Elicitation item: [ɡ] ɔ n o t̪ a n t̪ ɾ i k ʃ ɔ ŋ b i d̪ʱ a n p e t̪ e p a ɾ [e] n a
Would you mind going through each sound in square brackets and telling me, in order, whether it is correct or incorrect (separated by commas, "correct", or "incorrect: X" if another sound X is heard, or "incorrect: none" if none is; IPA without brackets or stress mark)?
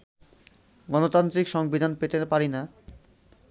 correct, incorrect: i